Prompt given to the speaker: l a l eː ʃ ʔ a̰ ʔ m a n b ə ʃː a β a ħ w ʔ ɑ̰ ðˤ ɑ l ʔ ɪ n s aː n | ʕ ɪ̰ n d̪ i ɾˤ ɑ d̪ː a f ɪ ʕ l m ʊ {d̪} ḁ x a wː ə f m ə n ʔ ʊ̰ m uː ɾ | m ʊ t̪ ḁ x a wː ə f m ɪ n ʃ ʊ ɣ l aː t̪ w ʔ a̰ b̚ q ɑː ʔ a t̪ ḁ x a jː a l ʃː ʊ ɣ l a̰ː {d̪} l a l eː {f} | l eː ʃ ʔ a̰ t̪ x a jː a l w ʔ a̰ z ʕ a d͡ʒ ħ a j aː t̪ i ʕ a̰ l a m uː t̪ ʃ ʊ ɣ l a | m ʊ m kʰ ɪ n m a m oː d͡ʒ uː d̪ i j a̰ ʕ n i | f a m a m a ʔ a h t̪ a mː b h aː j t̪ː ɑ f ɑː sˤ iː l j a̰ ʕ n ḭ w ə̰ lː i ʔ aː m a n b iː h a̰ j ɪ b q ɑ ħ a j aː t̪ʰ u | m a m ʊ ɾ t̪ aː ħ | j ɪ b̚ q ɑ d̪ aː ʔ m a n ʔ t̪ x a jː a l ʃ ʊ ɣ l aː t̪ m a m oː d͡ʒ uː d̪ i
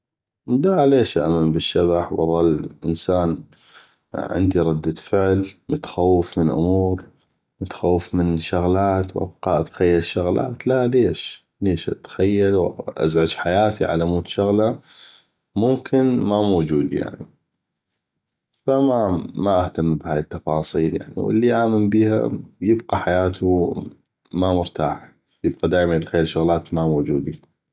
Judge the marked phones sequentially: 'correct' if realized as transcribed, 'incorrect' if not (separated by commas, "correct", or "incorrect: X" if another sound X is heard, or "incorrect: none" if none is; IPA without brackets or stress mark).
incorrect: t̪, incorrect: t̪, incorrect: ʃ